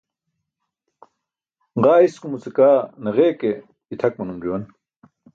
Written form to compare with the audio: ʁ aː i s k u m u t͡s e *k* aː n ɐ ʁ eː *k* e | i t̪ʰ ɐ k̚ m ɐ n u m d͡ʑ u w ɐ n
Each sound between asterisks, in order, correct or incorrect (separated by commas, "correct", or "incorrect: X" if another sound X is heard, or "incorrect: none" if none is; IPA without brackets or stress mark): correct, correct